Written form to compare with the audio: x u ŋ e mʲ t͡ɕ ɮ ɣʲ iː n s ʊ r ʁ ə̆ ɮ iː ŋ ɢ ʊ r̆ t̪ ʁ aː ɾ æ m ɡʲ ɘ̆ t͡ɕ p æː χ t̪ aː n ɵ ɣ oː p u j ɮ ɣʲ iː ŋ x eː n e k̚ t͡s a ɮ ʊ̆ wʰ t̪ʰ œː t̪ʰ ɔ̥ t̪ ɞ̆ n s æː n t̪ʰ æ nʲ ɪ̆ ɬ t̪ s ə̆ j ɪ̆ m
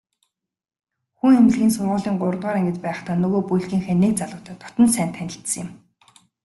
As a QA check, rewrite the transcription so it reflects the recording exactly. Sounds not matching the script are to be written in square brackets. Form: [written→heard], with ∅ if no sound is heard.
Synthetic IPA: x u ŋ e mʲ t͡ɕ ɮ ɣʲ iː n s ʊ r ʁ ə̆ ɮ iː ŋ ɢ ʊ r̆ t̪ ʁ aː ɾ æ [m→ŋ] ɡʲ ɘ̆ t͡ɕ p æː χ t̪ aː n ɵ ɣ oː p u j ɮ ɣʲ iː ŋ x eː n e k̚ t͡s a ɮ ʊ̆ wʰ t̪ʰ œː t̪ʰ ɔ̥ t̪ ɞ̆ n s æː n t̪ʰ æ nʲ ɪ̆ ɬ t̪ s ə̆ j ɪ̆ m